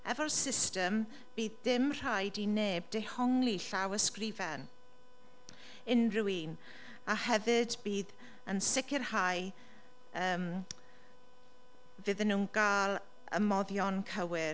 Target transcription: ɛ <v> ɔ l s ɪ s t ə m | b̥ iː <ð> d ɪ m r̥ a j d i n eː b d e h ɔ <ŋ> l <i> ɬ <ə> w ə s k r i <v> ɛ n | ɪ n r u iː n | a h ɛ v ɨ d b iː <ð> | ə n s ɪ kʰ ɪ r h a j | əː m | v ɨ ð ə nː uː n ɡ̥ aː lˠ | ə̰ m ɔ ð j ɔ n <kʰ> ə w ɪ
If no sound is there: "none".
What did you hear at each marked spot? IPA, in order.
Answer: v, ð, ŋ, i, a, v, ð, kʰ

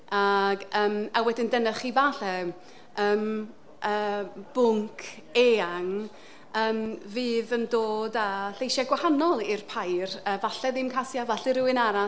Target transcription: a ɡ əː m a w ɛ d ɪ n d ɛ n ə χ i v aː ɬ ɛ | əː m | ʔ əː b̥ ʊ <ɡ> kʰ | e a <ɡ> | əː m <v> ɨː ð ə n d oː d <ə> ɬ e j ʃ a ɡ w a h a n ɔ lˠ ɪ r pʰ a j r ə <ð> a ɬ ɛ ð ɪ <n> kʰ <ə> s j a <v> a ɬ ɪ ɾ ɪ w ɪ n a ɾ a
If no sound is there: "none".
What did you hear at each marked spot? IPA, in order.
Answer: ŋ, ŋ, v, a, v, m, a, v

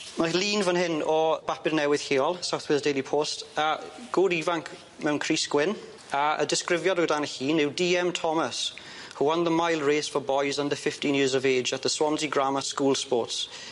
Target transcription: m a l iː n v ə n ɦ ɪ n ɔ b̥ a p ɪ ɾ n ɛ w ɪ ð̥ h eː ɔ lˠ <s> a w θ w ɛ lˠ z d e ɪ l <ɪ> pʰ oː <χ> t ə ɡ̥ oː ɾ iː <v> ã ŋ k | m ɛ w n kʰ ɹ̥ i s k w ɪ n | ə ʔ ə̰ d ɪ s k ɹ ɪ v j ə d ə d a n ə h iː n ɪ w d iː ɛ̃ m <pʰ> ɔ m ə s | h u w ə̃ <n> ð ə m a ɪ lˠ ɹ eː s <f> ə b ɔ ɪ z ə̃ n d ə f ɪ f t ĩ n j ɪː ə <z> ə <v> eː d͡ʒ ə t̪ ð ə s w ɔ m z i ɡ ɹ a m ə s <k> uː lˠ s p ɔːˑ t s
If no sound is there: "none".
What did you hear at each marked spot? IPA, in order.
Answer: s, i, s, v, tʰ, n, f, z, v, k

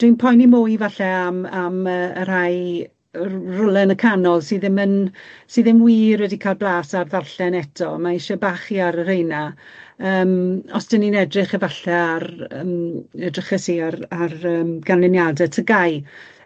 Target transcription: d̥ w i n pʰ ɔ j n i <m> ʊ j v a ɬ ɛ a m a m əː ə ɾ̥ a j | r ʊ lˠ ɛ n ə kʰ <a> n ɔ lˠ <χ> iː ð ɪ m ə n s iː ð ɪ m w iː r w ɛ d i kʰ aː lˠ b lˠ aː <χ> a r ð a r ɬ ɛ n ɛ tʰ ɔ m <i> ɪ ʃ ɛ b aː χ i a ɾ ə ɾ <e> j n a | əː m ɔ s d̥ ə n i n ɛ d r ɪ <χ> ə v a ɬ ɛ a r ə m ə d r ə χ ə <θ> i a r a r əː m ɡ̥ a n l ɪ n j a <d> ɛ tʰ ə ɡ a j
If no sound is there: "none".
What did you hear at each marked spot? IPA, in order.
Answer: m, a, s, s, a, e, χ, s, d

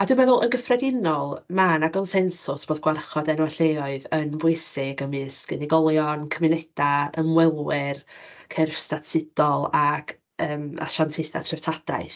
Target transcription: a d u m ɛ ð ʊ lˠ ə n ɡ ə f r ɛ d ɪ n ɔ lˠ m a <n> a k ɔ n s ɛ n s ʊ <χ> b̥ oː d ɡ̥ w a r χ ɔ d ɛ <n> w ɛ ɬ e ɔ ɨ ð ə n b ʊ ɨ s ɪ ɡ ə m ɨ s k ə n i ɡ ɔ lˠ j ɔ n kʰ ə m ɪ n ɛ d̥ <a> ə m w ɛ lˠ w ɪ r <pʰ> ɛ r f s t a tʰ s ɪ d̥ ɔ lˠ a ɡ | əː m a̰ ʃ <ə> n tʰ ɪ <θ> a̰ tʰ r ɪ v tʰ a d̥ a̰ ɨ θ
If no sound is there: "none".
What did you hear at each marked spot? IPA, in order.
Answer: n, s, n, a, kʰ, a, θ

